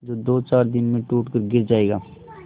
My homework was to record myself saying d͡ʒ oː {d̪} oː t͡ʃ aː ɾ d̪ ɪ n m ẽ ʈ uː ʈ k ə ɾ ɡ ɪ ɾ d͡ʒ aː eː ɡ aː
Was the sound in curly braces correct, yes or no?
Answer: yes